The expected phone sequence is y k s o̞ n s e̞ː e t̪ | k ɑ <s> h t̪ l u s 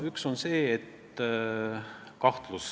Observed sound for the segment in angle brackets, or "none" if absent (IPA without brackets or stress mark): none